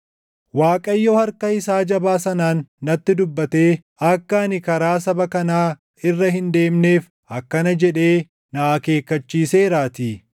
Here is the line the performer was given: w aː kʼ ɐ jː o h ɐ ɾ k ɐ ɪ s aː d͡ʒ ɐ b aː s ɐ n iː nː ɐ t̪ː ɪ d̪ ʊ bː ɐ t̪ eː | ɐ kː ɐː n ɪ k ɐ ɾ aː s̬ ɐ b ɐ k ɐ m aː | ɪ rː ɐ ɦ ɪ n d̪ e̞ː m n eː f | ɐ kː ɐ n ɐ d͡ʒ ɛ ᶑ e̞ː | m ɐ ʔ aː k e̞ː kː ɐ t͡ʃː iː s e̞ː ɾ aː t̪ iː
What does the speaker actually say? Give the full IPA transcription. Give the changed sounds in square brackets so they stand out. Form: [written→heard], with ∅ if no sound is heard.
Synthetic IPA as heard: w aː kʼ ɐ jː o h ɐ ɾ k ɐ ɪ s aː d͡ʒ ɐ b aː s ɐ n [iː→aː] nː ɐ t̪ː ɪ d̪ ʊ bː ɐ t̪ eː | ɐ kː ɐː n ɪ k ɐ ɾ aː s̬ ɐ b ɐ k ɐ [m→n] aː | ɪ rː ɐ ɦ ɪ n d̪ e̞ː m n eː f | ɐ kː ɐ n ɐ d͡ʒ ɛ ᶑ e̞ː | [m→n] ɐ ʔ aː k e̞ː kː ɐ t͡ʃː iː s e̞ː ɾ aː t̪ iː